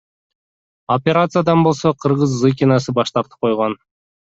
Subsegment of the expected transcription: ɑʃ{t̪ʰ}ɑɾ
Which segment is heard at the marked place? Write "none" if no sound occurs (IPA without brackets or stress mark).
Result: t̪